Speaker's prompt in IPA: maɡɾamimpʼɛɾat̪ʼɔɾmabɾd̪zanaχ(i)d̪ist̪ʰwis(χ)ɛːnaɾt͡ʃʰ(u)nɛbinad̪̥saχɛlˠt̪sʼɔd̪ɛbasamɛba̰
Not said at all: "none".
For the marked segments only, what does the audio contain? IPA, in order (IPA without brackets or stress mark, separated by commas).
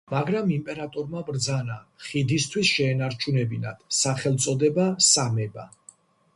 i, ʃ, u